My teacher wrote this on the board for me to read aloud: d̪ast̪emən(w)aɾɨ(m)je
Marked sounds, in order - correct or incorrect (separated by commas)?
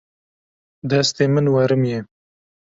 correct, correct